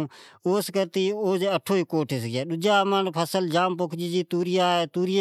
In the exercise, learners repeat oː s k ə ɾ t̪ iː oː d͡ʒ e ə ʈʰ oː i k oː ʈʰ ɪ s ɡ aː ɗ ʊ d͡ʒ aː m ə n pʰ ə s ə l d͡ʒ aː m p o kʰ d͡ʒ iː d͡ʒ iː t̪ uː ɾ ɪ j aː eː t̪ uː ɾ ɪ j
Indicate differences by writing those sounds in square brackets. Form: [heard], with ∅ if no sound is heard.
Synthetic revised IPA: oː s k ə ɾ t̪ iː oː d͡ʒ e ə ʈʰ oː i k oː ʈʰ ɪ s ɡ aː ɗ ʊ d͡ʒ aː m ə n pʰ ə s ə l d͡ʒ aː m p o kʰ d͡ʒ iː d͡ʒ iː t̪ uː ɾ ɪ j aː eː t̪ uː ɾ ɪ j